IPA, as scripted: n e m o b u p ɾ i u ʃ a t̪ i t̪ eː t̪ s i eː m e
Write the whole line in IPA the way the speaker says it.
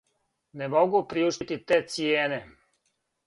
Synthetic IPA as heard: n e m o ɡ u p ɾ i u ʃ i t̪ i t̪ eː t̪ s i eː n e